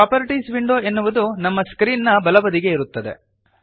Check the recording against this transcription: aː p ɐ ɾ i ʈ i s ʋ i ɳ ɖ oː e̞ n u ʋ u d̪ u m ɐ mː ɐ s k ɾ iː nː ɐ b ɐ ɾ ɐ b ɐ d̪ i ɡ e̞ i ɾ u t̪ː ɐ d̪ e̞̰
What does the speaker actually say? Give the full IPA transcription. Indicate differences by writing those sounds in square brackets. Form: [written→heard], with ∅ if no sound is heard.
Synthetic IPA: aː p ɐ ɾ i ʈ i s ʋ i ɳ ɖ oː e̞ [n→nː] u ʋ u d̪ u [m→n] ɐ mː ɐ s k ɾ iː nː ɐ b ɐ [ɾ→l] ɐ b ɐ d̪ i ɡ e̞ i ɾ u t̪ː ɐ d̪ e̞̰

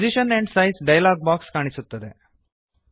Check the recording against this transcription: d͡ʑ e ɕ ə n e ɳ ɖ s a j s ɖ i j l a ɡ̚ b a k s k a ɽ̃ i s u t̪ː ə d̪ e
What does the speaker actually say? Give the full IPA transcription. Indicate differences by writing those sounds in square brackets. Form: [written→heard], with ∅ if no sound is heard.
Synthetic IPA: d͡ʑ [e→i] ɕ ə n e ɳ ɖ s a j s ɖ [i→a] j l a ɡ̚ b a k s k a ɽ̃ i s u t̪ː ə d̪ e

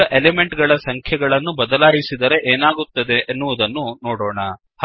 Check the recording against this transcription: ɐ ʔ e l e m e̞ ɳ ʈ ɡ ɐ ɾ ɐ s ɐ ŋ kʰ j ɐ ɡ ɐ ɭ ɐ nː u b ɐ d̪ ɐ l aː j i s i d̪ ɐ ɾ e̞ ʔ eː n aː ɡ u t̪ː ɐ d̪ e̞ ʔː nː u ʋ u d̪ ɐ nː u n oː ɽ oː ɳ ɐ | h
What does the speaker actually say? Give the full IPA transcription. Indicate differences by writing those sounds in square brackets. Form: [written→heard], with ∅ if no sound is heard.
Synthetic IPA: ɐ ʔ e l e m e̞ ɳ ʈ ɡ ɐ [ɾ→ɭ] ɐ s ɐ ŋ kʰ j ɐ ɡ ɐ ɭ ɐ nː u b ɐ d̪ ɐ l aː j i s i d̪ ɐ ɾ e̞ ʔ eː n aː ɡ u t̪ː ɐ d̪ e̞ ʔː nː u ʋ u d̪ ɐ nː u n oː ɽ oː ɳ ɐ | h

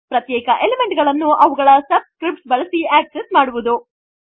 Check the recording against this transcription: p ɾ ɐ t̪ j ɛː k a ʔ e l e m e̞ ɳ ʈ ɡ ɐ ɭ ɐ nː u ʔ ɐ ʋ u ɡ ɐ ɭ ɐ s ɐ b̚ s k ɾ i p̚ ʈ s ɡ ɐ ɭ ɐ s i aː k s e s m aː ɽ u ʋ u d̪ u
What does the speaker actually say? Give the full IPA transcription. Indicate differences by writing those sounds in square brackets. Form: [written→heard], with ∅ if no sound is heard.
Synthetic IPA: p ɾ ɐ t̪ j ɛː k [a→ɐ] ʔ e l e m e̞ ɳ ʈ ɡ ɐ ɭ ɐ nː u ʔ ɐ ʋ u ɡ ɐ ɭ ɐ s ɐ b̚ s k ɾ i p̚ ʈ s [ɡ→b] ɐ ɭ ɐ s i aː k s e s m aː ɽ u ʋ u d̪ u

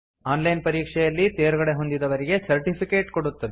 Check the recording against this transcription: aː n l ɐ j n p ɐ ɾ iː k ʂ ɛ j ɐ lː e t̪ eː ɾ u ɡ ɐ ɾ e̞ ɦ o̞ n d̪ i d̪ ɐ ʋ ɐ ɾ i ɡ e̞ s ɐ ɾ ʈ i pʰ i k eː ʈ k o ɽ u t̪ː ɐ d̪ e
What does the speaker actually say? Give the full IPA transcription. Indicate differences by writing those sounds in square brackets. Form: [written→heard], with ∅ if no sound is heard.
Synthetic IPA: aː n l ɐ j n p ɐ ɾ iː k ʂ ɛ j ɐ lː [e→i] t̪ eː ɾ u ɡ ɐ [ɾ→ɽ] e̞ ɦ o̞ n d̪ i d̪ ɐ ʋ ɐ ɾ i ɡ e̞ s ɐ ɾ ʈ i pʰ i k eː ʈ k o ɽ u t̪ː ɐ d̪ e

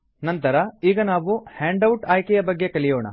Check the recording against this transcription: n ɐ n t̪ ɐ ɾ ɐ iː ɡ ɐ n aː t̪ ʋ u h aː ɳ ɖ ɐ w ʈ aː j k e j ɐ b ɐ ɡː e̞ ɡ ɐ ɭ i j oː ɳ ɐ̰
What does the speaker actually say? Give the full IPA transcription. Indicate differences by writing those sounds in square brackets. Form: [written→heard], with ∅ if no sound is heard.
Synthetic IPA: n ɐ n t̪ ɐ ɾ ɐ iː ɡ ɐ n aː [t̪→∅] ʋ u h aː ɳ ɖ ɐ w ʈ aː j k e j ɐ b ɐ ɡː e̞ [ɡ→k] ɐ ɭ i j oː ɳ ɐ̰

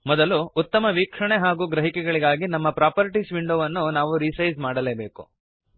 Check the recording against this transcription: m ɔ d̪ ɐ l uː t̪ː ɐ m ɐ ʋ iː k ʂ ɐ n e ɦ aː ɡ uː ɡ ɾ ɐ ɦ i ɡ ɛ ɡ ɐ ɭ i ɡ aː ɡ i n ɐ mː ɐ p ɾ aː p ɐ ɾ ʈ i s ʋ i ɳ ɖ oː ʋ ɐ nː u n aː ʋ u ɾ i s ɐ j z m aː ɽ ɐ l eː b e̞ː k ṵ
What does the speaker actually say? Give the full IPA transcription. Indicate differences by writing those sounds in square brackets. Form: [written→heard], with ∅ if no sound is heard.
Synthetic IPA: m ɔ d̪ ɐ l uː t̪ː ɐ m ɐ ʋ iː k ʂ ɐ [n→ɳ] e ɦ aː ɡ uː ɡ ɾ ɐ ɦ i [ɡ→k] ɛ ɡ ɐ ɭ i ɡ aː ɡ i n ɐ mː ɐ p ɾ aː p ɐ ɾ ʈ i s ʋ i ɳ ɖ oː ʋ ɐ nː u n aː ʋ u ɾ i s ɐ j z m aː ɽ ɐ l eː b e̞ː k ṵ

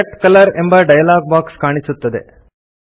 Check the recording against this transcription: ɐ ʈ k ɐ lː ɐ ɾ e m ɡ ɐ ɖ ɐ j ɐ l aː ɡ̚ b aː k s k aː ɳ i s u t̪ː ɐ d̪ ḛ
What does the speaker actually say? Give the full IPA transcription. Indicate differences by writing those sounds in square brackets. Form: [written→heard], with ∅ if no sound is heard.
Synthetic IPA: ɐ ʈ k ɐ [lː→l] ɐ ɾ e m [ɡ→b] ɐ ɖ ɐ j ɐ l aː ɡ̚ b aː k s k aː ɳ i s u t̪ː ɐ d̪ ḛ

